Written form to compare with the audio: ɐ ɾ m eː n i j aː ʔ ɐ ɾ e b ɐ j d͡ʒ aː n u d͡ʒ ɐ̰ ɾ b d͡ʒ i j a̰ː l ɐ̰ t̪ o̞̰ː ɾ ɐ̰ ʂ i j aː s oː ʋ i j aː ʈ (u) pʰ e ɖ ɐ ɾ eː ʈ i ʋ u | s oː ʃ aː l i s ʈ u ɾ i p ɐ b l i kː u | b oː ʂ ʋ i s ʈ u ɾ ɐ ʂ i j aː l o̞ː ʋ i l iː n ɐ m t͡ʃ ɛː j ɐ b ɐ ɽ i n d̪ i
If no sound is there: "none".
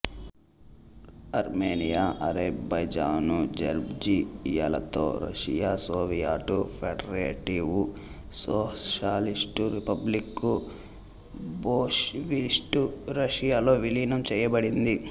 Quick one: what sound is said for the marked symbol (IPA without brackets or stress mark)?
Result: u